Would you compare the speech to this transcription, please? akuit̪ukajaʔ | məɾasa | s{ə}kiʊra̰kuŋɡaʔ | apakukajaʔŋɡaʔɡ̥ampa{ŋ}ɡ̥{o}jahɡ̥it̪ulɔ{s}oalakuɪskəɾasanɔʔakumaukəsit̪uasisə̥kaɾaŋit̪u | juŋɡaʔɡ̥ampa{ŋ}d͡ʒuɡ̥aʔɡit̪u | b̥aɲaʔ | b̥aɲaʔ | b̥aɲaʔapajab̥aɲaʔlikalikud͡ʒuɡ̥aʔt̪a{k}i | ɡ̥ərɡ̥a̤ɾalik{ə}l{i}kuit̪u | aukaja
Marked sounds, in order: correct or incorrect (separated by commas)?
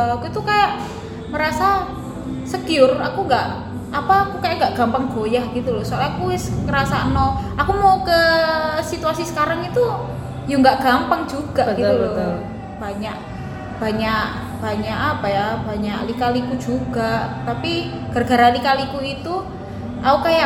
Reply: correct, correct, correct, correct, correct, incorrect, incorrect, correct